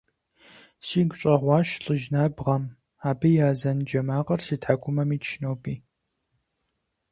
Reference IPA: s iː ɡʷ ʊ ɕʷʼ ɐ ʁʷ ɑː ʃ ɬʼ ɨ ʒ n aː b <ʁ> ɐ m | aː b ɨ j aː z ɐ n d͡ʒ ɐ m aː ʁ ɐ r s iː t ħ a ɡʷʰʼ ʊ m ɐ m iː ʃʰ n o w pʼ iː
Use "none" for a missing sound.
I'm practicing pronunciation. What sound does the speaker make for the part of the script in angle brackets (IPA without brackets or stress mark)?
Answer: ʁ